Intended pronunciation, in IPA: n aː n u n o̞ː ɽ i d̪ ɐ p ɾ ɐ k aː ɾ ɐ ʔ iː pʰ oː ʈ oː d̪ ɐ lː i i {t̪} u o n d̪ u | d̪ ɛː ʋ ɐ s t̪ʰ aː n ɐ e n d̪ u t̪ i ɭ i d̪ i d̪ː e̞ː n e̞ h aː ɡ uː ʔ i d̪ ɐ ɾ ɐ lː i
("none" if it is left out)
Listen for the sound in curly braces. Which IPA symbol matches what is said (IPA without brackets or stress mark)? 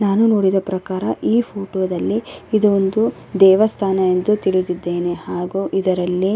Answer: d̪